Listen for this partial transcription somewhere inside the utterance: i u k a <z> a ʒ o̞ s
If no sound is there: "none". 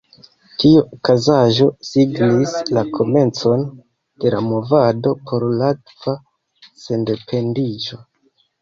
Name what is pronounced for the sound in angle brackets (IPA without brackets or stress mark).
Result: z